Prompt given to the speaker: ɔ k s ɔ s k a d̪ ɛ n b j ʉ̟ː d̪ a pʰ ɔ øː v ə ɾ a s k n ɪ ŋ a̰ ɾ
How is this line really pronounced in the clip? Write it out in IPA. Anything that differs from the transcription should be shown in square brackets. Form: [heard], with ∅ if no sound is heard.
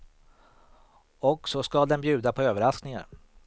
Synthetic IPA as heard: ɔ k s ɔ s k a d̪ ɛ n b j ʉ̟ː d̪ a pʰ ɔ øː v ə ɾ a s k n ɪ ŋ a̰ ɾ

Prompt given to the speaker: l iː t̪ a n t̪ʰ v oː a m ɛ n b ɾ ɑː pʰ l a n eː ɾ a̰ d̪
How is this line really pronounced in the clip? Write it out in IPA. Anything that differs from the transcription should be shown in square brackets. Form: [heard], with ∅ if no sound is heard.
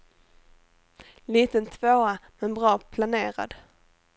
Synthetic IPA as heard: l iː t̪ [ə] n t̪ʰ v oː a m ɛ n b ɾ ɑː pʰ l a n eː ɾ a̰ d̪

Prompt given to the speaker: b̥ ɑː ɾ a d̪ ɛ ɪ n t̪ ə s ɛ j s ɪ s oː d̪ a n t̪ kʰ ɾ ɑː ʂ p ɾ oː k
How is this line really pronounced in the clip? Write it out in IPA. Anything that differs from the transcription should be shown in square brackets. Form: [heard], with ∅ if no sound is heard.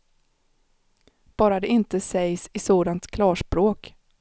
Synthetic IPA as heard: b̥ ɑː ɾ a d̪ ɛ ɪ n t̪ ə s ɛ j s ɪ s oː d̪ a n t̪ kʰ [l] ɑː ʂ p ɾ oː k

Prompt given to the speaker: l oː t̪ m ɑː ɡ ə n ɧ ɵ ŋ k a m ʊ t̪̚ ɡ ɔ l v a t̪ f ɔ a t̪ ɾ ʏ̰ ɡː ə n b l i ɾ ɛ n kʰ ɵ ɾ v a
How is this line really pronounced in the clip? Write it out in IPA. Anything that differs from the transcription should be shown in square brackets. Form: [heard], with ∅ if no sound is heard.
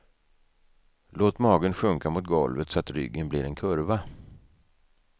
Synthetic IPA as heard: l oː t̪ m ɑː ɡ ə n ɧ ɵ ŋ k a m ʊ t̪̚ ɡ ɔ l v [ə] t̪ [s] ɔ a t̪ ɾ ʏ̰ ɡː ə n b l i ɾ ɛ n kʰ ɵ ɾ v a

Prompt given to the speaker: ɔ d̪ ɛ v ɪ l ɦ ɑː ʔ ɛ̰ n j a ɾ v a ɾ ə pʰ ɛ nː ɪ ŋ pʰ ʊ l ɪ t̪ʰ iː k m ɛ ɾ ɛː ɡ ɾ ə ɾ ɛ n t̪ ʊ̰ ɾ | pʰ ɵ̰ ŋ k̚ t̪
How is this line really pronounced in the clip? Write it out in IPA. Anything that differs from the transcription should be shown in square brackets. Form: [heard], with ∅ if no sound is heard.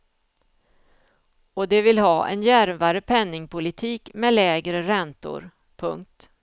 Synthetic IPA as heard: ɔ d̪ ɛ v ɪ l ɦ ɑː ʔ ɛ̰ n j [æ] ɾ v a ɾ ə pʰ ɛ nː ɪ ŋ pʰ ʊ l ɪ t̪ʰ iː k m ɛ [l] ɛː ɡ ɾ ə ɾ ɛ n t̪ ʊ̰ ɾ | pʰ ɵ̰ ŋ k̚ t̪

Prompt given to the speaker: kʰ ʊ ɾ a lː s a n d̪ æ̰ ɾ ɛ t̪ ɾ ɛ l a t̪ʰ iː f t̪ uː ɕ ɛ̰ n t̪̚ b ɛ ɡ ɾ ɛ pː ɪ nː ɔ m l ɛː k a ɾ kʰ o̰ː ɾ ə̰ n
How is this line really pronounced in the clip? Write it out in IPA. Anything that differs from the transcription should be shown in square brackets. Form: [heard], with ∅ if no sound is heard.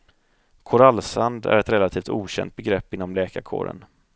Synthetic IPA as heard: kʰ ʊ ɾ a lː s a n d̪ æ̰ ɾ ɛ t̪ ɾ ɛ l a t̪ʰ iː f t̪ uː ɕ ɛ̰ n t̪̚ b ɛ ɡ ɾ ɛ pː ɪ nː ɔ m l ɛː k a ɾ kʰ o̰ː ɾ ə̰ n

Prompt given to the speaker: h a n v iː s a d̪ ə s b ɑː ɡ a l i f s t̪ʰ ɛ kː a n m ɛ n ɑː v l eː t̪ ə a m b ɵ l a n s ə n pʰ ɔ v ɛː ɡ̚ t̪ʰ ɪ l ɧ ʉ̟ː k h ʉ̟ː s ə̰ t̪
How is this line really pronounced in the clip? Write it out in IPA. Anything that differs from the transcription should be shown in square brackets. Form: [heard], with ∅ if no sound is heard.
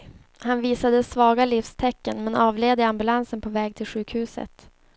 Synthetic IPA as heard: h a n v iː s a d̪ ə s [v] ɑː ɡ a l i f s t̪ʰ ɛ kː [ə] n m ɛ n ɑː v l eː [d̪] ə a m b ɵ l a n s ə n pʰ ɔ v ɛː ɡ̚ t̪ʰ ɪ l ɧ ʉ̟ː k h ʉ̟ː s ə̰ t̪

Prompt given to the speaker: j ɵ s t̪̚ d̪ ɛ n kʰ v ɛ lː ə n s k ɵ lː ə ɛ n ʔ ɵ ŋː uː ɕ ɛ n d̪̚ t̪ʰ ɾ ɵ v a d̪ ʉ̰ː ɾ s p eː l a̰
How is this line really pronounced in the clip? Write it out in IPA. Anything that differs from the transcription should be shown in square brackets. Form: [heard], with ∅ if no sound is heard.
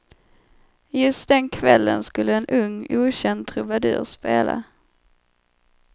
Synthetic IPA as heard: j ɵ s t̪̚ d̪ ɛ n kʰ v ɛ lː ə n s k ɵ lː ə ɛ n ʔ ɵ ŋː uː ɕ ɛ n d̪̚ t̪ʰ ɾ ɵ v a d̪ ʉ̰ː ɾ s p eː l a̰

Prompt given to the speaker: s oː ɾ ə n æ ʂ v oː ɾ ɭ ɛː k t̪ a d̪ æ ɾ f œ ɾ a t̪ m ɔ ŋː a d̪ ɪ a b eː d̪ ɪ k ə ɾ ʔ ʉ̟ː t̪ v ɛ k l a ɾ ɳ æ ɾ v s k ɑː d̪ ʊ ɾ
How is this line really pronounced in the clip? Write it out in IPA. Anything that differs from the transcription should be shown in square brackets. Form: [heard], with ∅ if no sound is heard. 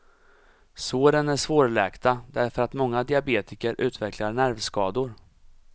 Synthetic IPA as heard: s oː ɾ ə n æ ʂ v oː ɾ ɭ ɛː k t̪ a d̪ æ ɾ f œ ɾ a t̪ m ɔ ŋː a d̪ ɪ a b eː [t̪] ɪ k ə ɾ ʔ ʉ̟ː t̪ v ɛ k l a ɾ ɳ æ ɾ v s k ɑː d̪ ʊ ɾ

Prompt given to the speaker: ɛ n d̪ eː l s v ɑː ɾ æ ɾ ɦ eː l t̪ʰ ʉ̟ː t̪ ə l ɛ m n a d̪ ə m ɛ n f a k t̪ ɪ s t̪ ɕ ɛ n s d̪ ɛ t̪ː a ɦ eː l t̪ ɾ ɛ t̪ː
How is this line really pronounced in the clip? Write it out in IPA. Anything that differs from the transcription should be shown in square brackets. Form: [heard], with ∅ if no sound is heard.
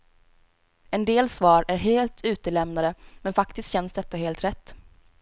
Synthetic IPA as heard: ɛ n d̪ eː l s v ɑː ɾ æ ɾ ɦ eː l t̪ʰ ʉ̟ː t̪ ə l ɛ m n a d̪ ə m ɛ n f a k t̪ ɪ s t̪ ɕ ɛ n s d̪ ɛ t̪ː a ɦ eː l t̪ ɾ ɛ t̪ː

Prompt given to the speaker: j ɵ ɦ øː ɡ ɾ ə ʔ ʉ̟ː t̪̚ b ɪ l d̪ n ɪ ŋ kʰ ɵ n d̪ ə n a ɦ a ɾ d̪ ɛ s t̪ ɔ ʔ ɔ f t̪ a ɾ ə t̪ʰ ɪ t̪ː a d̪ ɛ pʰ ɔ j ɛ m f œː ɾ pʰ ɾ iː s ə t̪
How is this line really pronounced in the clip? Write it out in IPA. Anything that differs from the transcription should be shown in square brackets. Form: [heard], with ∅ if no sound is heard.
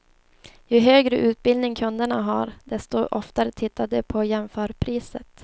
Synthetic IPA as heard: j ɵ ɦ øː ɡ ɾ ə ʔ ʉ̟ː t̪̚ b ɪ l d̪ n ɪ ŋ kʰ ɵ n d̪ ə [ɳ] a ɦ a ɾ d̪ ɛ s t̪ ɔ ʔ ɔ f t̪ a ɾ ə t̪ʰ ɪ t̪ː a d̪ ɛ pʰ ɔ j ɛ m f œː ɾ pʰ ɾ iː s ə t̪

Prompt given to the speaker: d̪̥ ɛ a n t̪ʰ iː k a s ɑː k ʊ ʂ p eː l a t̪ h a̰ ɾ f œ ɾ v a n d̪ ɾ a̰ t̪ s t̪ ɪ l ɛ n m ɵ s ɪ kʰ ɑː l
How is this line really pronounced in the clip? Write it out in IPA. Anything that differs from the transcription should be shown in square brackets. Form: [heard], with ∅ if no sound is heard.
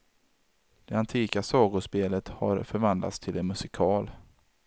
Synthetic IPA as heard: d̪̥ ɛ a n t̪ʰ iː k a s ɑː [ɡ] ʊ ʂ p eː l [ə] t̪ h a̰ ɾ f œ ɾ v a n d̪ [l] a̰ t̪ s [t̪ʰ] ɪ l ɛ n m ɵ s ɪ kʰ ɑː l

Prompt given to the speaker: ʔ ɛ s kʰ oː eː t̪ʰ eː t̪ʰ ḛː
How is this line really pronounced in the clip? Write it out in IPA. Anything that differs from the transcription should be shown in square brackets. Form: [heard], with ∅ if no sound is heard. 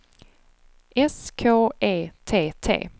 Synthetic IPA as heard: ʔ ɛ s kʰ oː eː t̪ʰ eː t̪ʰ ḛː

